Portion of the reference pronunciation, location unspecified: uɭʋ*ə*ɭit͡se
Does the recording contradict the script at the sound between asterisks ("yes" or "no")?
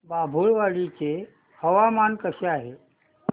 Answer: yes